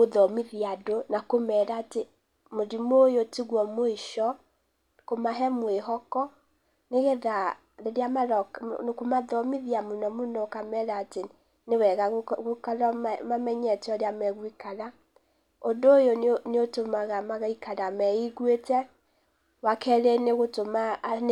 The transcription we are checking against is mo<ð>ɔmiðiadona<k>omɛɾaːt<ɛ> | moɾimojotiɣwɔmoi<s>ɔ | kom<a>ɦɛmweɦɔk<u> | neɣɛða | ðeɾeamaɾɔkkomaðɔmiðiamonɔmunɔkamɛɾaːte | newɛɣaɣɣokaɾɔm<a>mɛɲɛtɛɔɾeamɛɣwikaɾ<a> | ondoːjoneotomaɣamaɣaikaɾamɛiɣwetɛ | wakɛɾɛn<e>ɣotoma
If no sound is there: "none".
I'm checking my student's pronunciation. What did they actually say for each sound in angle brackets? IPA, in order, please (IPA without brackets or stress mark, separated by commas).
ð, k, e, ʃ, a, ɔ, a, a, e